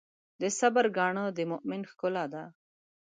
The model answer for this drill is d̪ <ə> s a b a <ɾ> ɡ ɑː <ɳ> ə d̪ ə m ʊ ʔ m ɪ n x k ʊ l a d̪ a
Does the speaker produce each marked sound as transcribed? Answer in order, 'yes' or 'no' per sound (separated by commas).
yes, yes, yes